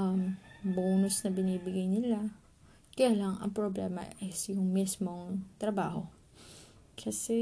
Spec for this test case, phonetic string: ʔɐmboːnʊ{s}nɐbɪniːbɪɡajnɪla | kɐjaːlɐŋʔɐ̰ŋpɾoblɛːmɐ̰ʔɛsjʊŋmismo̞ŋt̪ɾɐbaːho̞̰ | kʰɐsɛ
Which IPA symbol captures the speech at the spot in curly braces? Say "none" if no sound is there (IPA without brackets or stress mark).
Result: s